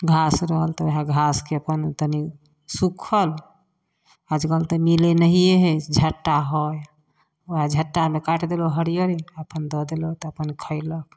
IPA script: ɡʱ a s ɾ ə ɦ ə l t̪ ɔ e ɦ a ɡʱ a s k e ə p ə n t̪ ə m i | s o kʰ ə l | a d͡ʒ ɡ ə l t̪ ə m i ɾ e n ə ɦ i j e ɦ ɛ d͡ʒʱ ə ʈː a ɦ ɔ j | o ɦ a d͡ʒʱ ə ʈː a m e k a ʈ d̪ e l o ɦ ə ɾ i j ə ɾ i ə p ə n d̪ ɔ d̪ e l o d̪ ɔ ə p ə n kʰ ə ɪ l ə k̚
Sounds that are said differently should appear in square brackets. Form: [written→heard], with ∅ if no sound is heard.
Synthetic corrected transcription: ɡʱ a s ɾ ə ɦ ə l t̪ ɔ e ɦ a ɡʱ a s k e ə p ə n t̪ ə [m→n] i | s [o→u] kʰ ə l | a d͡ʒ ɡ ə l t̪ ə m i [ɾ→l] e n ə ɦ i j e ɦ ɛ d͡ʒʱ ə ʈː a ɦ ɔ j | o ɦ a d͡ʒʱ ə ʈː a m e k a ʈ d̪ e l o ɦ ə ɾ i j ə ɾ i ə p ə n d̪ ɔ d̪ e l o [d̪→t̪] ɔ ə p ə n kʰ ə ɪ l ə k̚